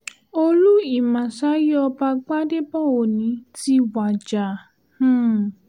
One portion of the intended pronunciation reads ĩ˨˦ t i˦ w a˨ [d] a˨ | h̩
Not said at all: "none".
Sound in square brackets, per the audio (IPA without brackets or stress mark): d͡ʒ